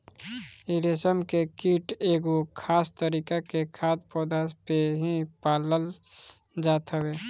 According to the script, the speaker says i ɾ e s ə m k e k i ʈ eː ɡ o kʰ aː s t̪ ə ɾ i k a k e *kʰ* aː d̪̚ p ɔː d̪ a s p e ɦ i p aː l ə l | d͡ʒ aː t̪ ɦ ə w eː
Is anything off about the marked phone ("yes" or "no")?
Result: no